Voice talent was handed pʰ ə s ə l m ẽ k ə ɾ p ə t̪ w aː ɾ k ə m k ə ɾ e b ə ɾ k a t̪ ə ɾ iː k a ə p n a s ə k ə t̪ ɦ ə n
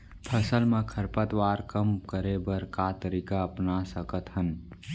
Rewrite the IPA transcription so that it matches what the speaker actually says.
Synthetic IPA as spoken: pʰ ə s ə l m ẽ kʰ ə ɾ p ə t̪ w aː ɾ k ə m k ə ɾ e b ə ɾ k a t̪ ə ɾ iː k a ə p n a s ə k ə t̪ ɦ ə n